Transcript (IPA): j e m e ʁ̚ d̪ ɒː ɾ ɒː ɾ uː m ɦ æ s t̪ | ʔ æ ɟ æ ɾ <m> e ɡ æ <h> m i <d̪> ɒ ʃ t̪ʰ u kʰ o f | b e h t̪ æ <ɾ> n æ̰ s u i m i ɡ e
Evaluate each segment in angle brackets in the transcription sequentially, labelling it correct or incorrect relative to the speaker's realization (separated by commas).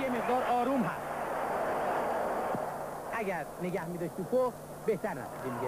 incorrect, correct, correct, correct